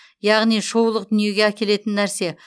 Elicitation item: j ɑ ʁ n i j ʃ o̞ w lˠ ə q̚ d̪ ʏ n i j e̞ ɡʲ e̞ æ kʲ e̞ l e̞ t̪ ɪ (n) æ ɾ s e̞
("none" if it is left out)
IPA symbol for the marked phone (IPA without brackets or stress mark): nː